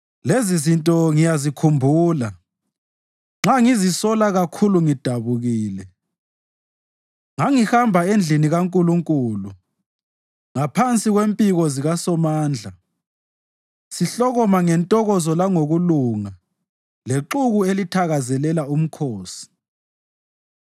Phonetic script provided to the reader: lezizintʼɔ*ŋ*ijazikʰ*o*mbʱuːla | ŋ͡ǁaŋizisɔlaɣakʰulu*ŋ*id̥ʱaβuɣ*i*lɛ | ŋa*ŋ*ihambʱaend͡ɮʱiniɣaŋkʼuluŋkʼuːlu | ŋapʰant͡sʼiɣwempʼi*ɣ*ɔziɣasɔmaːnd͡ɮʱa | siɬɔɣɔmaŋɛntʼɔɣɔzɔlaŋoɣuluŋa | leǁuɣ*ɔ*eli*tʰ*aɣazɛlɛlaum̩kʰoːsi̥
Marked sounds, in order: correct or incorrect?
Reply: correct, incorrect: u, correct, incorrect: iː, correct, correct, incorrect: u, correct

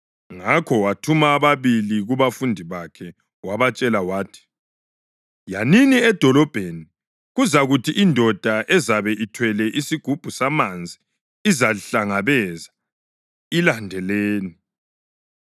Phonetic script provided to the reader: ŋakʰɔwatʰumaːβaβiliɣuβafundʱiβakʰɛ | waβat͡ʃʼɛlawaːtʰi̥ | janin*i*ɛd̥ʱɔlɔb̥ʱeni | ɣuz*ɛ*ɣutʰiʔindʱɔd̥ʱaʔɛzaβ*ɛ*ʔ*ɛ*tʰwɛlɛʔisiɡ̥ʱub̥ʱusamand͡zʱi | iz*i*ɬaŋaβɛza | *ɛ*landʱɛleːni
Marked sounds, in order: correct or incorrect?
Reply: correct, incorrect: a, correct, incorrect: i, incorrect: a, incorrect: i

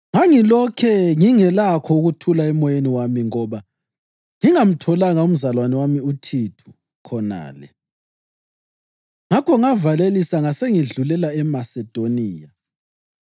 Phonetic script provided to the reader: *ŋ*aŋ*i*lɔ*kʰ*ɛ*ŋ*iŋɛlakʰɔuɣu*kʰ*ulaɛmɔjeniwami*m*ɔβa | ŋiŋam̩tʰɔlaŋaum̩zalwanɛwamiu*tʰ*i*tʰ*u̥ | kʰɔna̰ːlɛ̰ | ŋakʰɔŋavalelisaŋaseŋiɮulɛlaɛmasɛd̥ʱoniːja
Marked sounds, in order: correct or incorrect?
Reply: correct, correct, correct, correct, incorrect: tʰ, incorrect: ŋ, correct, correct

